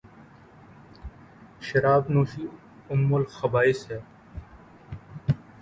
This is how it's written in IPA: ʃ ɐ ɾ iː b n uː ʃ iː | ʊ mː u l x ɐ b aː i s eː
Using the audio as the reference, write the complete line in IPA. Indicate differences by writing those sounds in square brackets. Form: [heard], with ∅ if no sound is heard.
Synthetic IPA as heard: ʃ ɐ ɾ [aː] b n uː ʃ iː | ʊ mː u l x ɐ b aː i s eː